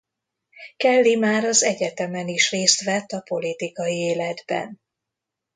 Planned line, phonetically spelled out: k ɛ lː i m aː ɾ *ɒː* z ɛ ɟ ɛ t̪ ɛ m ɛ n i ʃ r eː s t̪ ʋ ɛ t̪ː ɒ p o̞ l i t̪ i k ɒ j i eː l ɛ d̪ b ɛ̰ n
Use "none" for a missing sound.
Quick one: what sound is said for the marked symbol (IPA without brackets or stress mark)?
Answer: ɒ